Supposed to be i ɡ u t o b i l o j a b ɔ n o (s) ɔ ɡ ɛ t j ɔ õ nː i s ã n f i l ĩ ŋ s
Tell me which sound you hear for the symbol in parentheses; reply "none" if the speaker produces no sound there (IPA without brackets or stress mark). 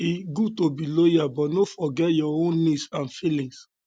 f